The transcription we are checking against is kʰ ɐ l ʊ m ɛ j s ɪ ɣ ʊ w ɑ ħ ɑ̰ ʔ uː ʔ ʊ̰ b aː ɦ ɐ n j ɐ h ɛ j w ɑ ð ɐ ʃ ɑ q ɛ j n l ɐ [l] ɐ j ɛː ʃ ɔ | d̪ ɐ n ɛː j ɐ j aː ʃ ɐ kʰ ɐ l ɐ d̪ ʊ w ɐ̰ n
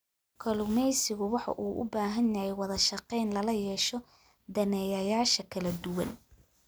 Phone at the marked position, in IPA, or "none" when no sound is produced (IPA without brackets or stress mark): l